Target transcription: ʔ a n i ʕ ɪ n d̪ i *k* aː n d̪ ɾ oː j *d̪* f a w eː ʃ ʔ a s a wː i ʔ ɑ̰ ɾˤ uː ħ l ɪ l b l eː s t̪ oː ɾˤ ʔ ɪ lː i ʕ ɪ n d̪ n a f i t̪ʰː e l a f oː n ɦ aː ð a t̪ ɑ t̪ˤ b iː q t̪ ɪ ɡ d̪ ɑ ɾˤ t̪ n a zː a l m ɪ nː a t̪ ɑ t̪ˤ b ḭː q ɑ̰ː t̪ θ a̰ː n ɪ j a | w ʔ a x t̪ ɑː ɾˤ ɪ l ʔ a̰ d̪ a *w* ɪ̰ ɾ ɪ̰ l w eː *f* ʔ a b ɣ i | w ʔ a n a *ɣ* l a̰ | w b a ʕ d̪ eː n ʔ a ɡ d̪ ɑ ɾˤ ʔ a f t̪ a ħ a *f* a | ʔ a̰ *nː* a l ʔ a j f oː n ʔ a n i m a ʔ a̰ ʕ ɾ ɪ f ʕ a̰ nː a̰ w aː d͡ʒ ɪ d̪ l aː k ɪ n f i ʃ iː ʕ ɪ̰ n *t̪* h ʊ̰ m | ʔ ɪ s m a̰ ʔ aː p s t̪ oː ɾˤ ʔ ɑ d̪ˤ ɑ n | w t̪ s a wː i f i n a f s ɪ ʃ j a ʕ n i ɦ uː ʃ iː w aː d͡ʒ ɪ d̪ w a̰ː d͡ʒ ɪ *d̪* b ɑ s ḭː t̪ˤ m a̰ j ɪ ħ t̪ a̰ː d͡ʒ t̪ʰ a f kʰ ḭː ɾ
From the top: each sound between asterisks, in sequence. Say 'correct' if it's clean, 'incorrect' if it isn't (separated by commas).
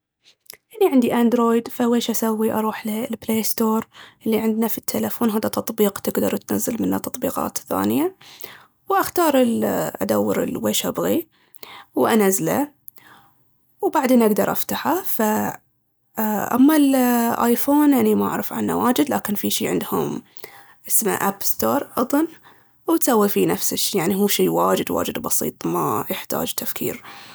incorrect, correct, incorrect, incorrect, incorrect, correct, incorrect, incorrect, correct